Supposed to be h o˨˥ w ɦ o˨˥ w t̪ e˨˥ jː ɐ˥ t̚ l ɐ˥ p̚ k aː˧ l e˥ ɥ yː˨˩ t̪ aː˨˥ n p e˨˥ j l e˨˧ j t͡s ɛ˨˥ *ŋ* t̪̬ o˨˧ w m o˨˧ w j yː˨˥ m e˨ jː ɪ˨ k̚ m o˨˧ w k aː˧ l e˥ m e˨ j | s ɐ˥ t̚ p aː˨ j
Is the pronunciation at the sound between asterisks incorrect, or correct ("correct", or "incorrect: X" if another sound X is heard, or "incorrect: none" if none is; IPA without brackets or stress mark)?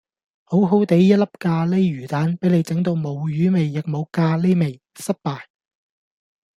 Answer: correct